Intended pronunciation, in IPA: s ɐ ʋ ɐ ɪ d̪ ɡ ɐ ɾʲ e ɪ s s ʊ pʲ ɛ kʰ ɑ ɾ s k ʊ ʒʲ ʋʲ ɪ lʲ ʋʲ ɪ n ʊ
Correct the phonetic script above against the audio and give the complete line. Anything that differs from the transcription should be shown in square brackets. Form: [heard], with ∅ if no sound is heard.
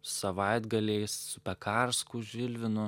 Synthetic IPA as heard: s ɐ ʋ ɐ ɪ d̪ ɡ ɐ [lʲ] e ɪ s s ʊ pʲ ɛ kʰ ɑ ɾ s k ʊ ʒʲ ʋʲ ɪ lʲ ʋʲ ɪ n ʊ